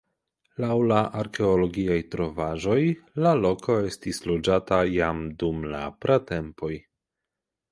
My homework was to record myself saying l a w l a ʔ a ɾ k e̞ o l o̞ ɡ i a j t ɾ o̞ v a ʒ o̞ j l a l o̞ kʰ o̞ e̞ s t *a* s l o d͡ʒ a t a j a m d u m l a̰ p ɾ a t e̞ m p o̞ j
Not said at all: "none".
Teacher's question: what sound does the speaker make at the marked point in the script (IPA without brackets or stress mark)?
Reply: i